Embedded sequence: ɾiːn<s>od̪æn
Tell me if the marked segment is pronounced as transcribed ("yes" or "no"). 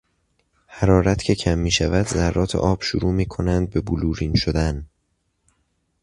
no